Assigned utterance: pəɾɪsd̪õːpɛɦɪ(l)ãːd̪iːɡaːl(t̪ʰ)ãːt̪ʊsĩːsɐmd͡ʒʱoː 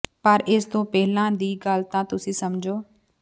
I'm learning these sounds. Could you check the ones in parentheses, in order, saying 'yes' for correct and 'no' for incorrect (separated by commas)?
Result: yes, no